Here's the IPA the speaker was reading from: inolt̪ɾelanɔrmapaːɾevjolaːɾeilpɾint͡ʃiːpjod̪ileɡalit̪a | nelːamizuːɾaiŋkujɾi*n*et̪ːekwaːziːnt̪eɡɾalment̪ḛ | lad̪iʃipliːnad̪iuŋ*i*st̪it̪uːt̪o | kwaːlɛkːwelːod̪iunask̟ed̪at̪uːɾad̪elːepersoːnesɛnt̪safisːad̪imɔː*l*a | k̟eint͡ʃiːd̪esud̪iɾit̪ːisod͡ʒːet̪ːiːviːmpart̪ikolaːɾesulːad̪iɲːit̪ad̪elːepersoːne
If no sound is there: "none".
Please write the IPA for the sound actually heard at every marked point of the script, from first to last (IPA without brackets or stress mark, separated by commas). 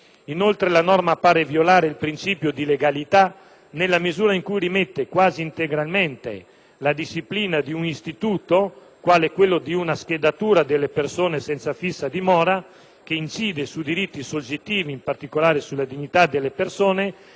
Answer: m, i, ɾ